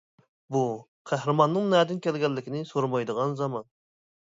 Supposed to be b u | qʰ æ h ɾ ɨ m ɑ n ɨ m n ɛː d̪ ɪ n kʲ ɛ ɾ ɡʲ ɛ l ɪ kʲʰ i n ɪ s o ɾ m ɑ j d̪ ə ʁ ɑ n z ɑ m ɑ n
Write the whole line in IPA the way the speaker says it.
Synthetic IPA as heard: b u | qʰ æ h ɾ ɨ m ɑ nː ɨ ŋ n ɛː d̪ ɪ n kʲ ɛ l ɡʲ ɛ lː ɪ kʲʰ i n ɪ s o ɾ m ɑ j d̪ ə ʁ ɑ n z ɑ m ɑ n

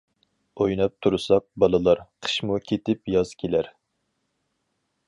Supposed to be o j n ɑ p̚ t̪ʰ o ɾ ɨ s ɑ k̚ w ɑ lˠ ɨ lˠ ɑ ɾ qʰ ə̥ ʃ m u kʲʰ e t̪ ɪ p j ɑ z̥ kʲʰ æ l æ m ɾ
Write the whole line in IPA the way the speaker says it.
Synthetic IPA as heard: o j n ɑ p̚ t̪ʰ u ɾ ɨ s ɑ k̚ b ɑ lˠ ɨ lˠ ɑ ɾ qʰ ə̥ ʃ m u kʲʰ e t̪ ɪ p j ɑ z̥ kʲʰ e l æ ɾ

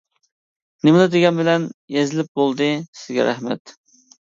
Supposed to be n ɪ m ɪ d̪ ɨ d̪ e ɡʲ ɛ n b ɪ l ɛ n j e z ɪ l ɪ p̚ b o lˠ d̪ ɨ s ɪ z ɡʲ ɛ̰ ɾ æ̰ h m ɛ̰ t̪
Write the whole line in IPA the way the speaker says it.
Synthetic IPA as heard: n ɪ m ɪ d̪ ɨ d̪ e ɡʲ ɛ n b ɪ l ɛ n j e z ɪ l ɪ p̚ b o lˠ d̪ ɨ s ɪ z ɡʲ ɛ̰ ɾ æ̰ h m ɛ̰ t̪

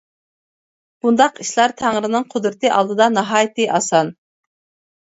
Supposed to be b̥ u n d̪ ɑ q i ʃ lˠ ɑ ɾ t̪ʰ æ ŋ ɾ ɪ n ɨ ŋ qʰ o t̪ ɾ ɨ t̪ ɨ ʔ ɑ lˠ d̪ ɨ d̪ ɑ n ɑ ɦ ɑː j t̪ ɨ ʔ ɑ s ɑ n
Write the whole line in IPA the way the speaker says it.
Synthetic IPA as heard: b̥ u n d̪ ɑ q i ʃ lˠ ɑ ɾ t̪ʰ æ ŋ ɾ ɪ n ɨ ŋ qʰ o d̪ ɾ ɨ t̪ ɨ ʔ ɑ lˠ d̪ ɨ d̪ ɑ n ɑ ɦ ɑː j t̪ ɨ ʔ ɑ s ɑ n

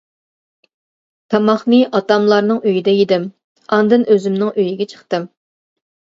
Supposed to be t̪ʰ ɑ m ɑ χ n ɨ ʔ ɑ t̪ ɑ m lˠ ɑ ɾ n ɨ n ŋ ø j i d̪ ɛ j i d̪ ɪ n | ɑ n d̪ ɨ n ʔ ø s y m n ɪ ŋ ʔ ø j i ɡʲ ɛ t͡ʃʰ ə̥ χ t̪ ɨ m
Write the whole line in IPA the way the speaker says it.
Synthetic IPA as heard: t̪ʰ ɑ m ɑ χ n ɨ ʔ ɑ t̪ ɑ m lˠ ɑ ɾ n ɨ ŋ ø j i d̪ ɛ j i d̪ ɪ m | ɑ n d̪ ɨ n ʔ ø z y m n ɪ ŋ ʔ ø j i ɡʲ ɛ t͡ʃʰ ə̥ χ t̪ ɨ m

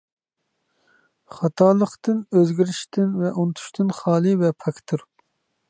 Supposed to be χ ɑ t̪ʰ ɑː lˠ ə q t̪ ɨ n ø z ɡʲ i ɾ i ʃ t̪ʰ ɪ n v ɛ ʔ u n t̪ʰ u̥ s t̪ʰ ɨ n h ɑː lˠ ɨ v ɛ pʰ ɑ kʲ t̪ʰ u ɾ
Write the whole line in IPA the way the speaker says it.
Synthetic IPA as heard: χ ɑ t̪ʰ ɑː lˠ ə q t̪ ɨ n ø z ɡʲ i ɾ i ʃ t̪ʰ ɪ n v ɛ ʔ u n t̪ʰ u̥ ʃ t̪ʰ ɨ n χ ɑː lˠ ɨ v ɛ pʰ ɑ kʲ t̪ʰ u ɾ

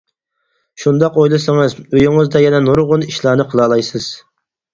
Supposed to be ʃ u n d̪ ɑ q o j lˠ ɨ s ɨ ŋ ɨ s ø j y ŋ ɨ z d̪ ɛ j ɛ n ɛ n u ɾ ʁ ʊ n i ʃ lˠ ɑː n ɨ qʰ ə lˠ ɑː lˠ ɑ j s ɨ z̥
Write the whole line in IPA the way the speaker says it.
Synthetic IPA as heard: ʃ u n d̪ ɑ q o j lˠ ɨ s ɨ ŋ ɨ z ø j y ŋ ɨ z d̪ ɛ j ɛ n ɛ n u ɾ ʁ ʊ n i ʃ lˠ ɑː n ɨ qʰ ə lˠ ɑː lˠ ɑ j s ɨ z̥

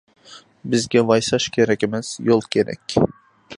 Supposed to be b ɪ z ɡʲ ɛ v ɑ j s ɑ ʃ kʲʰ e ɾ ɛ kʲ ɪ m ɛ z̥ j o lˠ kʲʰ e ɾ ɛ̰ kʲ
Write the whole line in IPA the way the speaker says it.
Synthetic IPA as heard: b ɪ z ɡʲ ɛ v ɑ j s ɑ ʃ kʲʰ e ɾ ɛ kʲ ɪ m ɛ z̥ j o lˠ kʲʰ e ɾ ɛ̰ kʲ

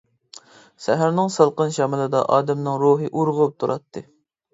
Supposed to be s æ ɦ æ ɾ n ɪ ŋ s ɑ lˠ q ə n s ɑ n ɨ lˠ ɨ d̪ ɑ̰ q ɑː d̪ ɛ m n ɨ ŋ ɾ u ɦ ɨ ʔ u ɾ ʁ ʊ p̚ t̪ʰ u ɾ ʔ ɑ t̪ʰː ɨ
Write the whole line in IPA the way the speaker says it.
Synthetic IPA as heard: s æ ɦ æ ɾ n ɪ ŋ s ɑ lˠ q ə n ʃ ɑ m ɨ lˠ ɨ d̪ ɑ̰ ʔ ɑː d̪ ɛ m n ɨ ŋ ɾ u ɦ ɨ ʔ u ɾ ʁ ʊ p̚ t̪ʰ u ɾ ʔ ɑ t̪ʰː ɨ

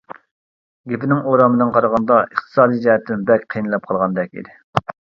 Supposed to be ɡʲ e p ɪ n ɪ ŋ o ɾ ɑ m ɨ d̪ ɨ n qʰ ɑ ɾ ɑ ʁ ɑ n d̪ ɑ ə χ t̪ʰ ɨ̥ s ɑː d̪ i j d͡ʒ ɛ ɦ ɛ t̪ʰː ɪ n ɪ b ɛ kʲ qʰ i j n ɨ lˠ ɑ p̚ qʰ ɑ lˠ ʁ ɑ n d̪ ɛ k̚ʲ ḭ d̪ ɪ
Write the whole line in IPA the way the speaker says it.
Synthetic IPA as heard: ɡʲ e p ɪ n ɪ ŋ o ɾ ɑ m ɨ d̪ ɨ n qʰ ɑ ɾ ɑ ʁ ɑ n d̪ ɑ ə χ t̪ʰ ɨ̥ s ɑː d̪ i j d͡ʒ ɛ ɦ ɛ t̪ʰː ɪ n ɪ b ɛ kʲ qʰ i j n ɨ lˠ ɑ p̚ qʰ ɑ lˠ ʁ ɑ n d̪ ɛ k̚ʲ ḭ d̪ ɪ

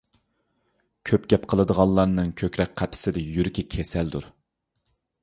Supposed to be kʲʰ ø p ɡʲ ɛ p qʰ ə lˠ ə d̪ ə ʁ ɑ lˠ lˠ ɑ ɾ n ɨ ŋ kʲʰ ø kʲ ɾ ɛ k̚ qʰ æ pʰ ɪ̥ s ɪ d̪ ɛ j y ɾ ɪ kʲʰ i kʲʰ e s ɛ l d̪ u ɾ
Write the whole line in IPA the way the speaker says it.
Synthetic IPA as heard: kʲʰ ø p ɡʲ ɛ p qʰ ə lˠ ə d̪ ə ʁ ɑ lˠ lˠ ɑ ɾ n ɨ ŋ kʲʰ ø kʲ ɾ ɛ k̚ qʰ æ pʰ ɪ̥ s ɪ d̪ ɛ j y ɾ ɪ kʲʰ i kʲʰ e s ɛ l d̪ u ɾ

